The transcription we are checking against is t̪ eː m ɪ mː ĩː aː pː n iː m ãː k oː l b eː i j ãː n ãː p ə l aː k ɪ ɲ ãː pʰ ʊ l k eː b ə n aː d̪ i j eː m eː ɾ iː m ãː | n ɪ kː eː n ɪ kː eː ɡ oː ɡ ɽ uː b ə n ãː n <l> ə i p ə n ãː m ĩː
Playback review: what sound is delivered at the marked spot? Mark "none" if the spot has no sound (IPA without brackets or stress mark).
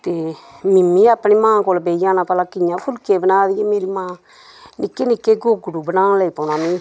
l